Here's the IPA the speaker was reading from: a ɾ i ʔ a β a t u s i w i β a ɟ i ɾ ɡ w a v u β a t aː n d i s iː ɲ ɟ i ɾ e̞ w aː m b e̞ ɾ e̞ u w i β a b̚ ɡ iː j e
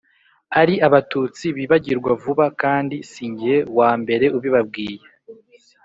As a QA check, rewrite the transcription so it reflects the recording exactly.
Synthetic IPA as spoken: a ɾ i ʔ a β a t u t͡s i β i β a ɟ i ɾ ɡ w a v u β a k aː n d i s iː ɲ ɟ i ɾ e̞ w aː m b e̞ ɾ e̞ u β i β a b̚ ɡ iː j e